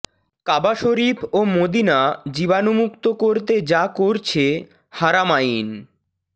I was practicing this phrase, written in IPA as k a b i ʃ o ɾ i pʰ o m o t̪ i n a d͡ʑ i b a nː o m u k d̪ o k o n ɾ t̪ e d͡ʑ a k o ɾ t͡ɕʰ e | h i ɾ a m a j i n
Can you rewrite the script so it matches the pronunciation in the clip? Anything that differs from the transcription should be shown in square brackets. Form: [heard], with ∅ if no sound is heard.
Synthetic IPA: k a b [a] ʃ o ɾ i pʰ o m o [d̪] i n a d͡ʑ i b a [n] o m u k [t̪] o k o [∅] ɾ t̪ e d͡ʑ a k o ɾ t͡ɕʰ e | h [a] ɾ a m a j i n

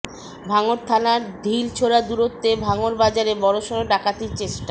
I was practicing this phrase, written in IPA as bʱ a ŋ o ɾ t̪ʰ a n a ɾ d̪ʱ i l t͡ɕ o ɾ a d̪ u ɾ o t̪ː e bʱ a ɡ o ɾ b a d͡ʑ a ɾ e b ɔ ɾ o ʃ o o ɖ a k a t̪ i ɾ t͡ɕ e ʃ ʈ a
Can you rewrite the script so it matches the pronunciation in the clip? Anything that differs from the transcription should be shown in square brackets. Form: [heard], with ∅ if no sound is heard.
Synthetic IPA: bʱ a ŋ o ɾ t̪ʰ a n a ɾ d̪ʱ i l [t͡ɕʰ] o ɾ a d̪ u ɾ o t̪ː e bʱ a [ŋ] o ɾ b a d͡ʑ a ɾ e b ɔ ɾ o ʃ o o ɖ a k a t̪ i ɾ t͡ɕ e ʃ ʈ a

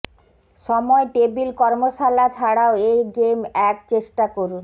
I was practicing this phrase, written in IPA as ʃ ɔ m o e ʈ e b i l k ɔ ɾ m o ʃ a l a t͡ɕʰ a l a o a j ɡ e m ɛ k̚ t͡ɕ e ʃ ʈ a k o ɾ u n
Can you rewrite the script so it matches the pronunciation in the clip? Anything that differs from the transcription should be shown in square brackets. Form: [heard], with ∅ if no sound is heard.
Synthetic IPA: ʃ ɔ m [ɔ] e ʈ e b i l k ɔ ɾ m o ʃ a l a t͡ɕʰ a [ɽ] a o [e] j ɡ e m ɛ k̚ t͡ɕ e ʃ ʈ a k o ɾ u n

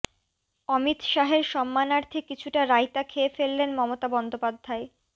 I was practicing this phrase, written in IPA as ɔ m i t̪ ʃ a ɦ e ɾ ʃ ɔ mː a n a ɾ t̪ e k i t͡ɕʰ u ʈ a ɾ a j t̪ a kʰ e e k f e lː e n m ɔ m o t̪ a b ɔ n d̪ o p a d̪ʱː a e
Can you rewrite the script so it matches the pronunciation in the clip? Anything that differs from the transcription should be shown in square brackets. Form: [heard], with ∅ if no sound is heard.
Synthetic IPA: ɔ m i t̪ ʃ a ɦ e ɾ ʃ ɔ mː a n a ɾ [t̪ʰ] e k i t͡ɕʰ u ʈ a ɾ a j t̪ a kʰ e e [∅] f e lː e n m ɔ m o t̪ a b ɔ n d̪ o p a d̪ʱː a e

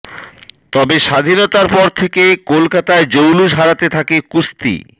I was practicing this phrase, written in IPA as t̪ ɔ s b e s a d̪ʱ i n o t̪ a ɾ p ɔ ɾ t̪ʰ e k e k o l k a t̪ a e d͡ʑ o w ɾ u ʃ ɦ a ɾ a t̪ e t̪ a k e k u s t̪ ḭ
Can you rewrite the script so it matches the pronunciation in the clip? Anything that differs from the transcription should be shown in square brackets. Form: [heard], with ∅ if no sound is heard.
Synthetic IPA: t̪ ɔ [∅] b e [ʃ] a d̪ʱ i n o t̪ a ɾ p ɔ ɾ t̪ʰ e k e k o l k a t̪ a e d͡ʑ o w [l] u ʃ ɦ a ɾ a t̪ e [t̪ʰ] a k e k u s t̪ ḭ

